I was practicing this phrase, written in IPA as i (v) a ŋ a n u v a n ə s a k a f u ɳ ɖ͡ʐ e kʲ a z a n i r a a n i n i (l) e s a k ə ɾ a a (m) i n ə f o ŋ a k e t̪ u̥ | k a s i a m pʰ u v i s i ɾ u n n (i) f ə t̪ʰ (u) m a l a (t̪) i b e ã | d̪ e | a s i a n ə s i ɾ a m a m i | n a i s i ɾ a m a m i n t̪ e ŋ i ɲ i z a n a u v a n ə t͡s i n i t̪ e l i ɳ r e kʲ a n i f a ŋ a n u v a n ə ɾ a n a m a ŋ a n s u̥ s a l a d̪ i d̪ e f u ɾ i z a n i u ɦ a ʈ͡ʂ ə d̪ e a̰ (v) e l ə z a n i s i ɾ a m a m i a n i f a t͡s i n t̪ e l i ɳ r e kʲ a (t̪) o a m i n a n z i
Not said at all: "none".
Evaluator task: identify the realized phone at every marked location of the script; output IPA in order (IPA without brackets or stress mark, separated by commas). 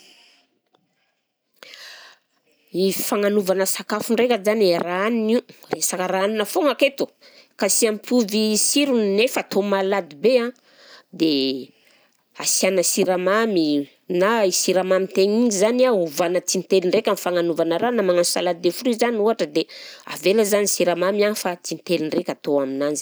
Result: f, r, n, e, o, d̪, v, t̪